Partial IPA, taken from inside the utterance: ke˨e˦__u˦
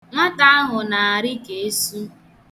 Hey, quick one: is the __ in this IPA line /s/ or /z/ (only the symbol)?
s